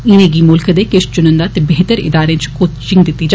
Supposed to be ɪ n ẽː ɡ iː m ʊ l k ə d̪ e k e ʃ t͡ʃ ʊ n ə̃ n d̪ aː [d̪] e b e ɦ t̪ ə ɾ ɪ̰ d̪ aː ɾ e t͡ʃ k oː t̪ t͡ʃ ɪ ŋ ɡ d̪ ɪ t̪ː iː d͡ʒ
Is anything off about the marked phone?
yes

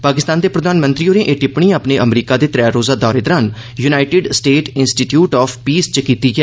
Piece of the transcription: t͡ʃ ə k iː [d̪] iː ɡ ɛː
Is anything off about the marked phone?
yes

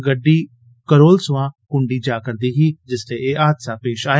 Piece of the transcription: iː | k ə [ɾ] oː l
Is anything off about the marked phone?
no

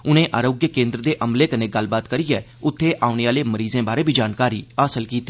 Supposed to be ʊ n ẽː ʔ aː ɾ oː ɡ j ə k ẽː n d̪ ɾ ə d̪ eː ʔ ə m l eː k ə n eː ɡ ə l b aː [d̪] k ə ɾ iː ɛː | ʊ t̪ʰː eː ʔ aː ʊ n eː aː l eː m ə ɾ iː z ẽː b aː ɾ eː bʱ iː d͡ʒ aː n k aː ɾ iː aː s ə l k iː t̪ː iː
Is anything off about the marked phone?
yes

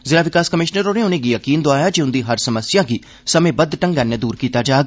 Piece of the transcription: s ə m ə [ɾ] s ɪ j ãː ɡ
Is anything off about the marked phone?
yes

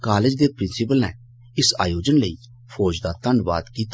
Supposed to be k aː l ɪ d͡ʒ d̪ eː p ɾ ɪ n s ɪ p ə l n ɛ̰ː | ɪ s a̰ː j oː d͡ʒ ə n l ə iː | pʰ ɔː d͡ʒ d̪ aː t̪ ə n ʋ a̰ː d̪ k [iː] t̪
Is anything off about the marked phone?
no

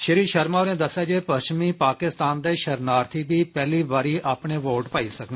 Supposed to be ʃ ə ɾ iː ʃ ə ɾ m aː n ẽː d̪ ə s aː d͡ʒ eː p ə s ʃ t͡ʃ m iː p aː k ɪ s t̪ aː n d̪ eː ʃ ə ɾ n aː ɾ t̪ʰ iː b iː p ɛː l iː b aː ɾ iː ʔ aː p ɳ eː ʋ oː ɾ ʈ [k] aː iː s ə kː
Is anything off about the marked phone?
yes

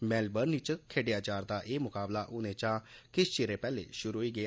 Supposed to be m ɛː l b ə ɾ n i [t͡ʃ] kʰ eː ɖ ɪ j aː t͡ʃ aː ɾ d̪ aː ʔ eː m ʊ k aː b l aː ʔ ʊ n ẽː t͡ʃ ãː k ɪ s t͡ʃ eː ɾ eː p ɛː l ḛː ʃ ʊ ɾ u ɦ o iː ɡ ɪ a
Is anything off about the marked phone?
no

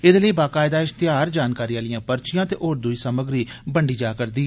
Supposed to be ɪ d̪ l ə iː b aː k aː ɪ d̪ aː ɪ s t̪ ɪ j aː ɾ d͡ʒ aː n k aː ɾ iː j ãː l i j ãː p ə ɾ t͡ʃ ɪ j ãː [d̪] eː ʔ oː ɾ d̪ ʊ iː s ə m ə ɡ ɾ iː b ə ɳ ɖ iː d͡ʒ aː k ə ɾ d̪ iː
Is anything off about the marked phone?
yes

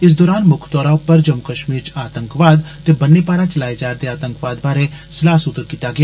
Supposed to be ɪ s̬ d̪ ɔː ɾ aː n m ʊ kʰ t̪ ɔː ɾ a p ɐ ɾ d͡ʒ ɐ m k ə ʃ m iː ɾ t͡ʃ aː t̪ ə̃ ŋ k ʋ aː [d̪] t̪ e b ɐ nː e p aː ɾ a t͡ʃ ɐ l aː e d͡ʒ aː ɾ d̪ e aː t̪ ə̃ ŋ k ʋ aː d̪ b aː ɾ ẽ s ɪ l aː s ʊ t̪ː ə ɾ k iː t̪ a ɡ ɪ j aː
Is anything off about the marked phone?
no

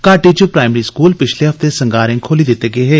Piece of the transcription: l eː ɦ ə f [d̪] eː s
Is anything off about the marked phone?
yes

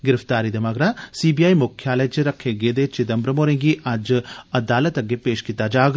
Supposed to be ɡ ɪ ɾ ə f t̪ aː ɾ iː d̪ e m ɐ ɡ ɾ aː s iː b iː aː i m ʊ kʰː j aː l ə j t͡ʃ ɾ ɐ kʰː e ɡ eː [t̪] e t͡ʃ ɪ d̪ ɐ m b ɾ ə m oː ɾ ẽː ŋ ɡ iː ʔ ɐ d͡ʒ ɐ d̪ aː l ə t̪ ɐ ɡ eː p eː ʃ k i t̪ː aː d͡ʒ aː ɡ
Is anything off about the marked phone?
yes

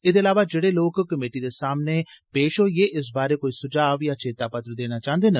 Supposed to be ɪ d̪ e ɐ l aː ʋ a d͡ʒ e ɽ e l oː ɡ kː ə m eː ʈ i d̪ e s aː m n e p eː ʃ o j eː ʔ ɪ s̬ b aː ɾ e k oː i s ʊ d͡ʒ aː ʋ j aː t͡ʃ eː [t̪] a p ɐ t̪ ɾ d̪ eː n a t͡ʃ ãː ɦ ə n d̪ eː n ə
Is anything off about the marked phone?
no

